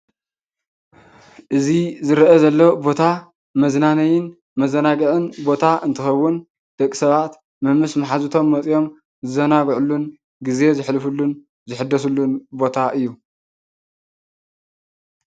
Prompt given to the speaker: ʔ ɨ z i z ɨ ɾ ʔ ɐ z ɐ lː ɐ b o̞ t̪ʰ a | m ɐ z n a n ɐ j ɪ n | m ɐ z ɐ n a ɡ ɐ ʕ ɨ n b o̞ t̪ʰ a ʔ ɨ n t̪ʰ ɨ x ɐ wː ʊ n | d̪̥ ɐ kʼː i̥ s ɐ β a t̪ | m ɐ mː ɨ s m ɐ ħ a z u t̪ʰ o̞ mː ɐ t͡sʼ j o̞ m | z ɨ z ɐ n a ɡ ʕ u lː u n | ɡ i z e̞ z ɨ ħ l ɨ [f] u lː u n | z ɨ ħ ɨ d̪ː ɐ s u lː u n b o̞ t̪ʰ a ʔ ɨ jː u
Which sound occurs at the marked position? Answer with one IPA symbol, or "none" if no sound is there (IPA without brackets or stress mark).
f